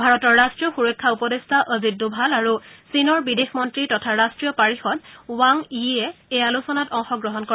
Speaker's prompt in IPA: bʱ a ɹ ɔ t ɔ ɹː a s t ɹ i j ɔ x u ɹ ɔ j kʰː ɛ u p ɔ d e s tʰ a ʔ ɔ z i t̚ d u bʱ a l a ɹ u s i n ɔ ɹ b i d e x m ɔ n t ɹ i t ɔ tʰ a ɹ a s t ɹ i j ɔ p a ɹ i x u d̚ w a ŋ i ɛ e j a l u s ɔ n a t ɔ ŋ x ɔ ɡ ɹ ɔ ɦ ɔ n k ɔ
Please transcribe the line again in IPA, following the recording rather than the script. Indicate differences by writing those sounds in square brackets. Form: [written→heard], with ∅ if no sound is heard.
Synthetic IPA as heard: bʱ a ɹ ɔ t ɔ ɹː a s t ɹ i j ɔ x u ɹ ɔ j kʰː [ɛ→a] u p ɔ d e s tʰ a ʔ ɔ z i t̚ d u bʱ a l a ɹ u s i n ɔ ɹ b i d e x m ɔ n t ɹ i t ɔ tʰ a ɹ a s t ɹ i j ɔ p a ɹ i x [u→ɔ] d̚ w a ŋ i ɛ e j a l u s ɔ n a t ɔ ŋ x ɔ ɡ ɹ ɔ ɦ ɔ n k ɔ

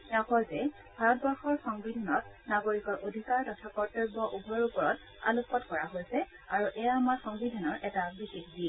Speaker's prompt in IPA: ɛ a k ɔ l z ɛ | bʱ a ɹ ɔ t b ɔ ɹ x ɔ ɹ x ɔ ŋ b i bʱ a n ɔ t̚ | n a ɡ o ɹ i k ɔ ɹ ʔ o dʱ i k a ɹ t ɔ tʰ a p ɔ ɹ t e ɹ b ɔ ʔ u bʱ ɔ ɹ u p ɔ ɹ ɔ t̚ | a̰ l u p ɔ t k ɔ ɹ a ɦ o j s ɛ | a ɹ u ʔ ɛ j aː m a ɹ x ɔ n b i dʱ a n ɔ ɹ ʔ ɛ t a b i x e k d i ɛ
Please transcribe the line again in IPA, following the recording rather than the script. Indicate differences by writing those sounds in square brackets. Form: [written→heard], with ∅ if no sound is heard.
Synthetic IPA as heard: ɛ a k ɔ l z ɛ | bʱ a ɹ ɔ t b ɔ ɹ x ɔ ɹ x ɔ ŋ b i [bʱ→dʱ] a n ɔ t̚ | n a ɡ o ɹ i k ɔ ɹ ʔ o dʱ i k a ɹ t ɔ tʰ a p ɔ ɹ t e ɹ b ɔ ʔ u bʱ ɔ ɹ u p ɔ ɹ ɔ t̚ | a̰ l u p ɔ t k ɔ ɹ a ɦ o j s ɛ | a ɹ u ʔ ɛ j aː m a ɹ x ɔ [n→ŋ] b i dʱ a n ɔ ɹ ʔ ɛ t a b i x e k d i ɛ

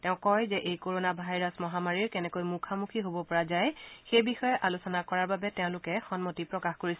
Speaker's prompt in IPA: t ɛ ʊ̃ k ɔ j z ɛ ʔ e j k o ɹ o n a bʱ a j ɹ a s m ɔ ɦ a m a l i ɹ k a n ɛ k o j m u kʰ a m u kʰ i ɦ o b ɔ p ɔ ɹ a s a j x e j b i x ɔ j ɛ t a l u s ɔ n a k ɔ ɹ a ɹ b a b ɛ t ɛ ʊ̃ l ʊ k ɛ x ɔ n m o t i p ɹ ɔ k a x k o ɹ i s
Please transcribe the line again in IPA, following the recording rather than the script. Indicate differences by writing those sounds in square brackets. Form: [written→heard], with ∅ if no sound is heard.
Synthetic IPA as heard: t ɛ ʊ̃ k ɔ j z ɛ ʔ e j k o ɹ o n a bʱ a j ɹ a s m ɔ ɦ a m a [l→ɹ] i ɹ k [a→ɛ] n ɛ k o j m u kʰ a m u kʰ i ɦ o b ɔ p ɔ ɹ a [s→z] a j x e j b i x ɔ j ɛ [t→ʔ] a l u s ɔ n a k ɔ ɹ a ɹ b a b ɛ t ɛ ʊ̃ l ʊ k ɛ x ɔ n m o t i p ɹ ɔ k a x k o ɹ i s

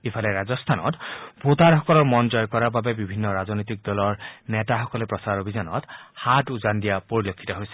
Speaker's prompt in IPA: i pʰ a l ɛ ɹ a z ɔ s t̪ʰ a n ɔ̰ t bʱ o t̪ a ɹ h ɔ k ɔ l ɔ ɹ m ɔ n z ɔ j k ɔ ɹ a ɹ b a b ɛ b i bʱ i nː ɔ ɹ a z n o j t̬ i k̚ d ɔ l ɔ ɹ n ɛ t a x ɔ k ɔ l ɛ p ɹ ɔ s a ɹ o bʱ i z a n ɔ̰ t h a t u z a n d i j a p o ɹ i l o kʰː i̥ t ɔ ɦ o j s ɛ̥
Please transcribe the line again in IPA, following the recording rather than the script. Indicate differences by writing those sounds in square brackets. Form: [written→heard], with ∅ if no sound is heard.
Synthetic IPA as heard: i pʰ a l ɛ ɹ a z ɔ s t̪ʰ a n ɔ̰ t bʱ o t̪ a ɹ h ɔ k ɔ l ɔ ɹ m ɔ n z ɔ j k ɔ ɹ a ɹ b a b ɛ b i bʱ i nː ɔ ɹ a z n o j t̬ i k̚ d ɔ l ɔ ɹ n ɛ t a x ɔ k ɔ l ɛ p ɹ ɔ s a ɹ o bʱ i z a n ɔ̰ t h a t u z a n d i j a p o ɹ i l o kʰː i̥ t ɔ ɦ o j s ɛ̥

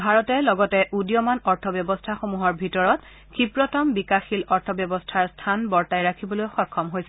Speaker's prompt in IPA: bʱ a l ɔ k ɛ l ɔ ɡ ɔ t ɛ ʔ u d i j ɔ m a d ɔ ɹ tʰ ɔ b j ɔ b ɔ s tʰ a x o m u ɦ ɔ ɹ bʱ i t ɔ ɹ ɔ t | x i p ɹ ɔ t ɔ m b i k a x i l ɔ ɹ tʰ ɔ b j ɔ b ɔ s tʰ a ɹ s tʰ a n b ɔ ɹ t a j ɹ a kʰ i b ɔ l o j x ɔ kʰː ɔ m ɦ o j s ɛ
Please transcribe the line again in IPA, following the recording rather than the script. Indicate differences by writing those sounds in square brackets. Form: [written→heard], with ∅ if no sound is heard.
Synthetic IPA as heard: bʱ a [l→ɹ] ɔ [k→t] ɛ l ɔ ɡ ɔ t ɛ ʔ u d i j ɔ m a [d→n] ɔ ɹ tʰ ɔ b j ɔ b ɔ s tʰ a x o m u ɦ ɔ ɹ bʱ i t ɔ ɹ ɔ t | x i p ɹ ɔ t ɔ m b i k a x i l ɔ ɹ tʰ ɔ b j ɔ b ɔ s tʰ a ɹ s tʰ a n b ɔ ɹ t a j ɹ a kʰ i b ɔ l o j x ɔ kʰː ɔ m ɦ o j s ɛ

